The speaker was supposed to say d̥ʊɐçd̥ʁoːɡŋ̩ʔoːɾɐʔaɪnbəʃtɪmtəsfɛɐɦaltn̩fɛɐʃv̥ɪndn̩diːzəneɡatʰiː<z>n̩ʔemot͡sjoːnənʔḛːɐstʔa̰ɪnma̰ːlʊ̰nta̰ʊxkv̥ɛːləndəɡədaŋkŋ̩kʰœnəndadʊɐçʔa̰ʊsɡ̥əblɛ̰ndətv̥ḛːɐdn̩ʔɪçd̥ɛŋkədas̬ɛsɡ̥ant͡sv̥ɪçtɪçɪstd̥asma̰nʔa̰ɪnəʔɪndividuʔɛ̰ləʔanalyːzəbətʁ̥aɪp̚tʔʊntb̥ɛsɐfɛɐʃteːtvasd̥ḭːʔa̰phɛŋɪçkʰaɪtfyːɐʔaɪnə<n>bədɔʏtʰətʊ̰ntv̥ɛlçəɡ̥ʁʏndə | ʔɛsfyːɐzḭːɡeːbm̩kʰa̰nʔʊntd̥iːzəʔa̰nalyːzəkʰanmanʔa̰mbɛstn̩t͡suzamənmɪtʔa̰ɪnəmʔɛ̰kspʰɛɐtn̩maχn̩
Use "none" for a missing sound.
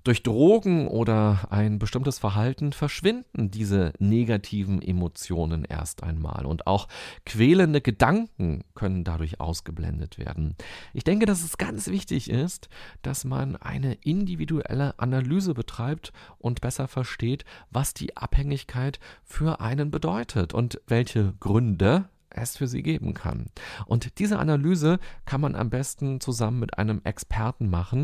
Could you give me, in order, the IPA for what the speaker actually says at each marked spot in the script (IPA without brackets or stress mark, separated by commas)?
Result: v, n